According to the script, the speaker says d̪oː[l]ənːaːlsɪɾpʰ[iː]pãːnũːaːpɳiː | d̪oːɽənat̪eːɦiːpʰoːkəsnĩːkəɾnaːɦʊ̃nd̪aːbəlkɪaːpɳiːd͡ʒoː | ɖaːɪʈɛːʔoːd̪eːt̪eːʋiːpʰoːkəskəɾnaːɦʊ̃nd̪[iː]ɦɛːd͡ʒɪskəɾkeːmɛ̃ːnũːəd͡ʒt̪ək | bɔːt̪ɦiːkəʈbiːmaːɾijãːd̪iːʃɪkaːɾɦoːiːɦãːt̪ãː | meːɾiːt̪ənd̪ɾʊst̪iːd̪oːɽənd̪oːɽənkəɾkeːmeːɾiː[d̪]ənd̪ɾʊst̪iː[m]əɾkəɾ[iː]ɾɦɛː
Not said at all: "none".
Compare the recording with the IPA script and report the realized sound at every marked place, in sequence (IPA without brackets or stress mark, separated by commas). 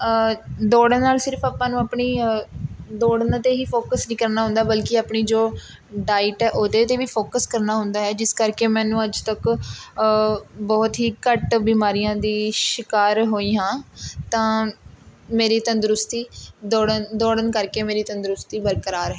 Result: ɽ, aː, aː, t̪, b, aː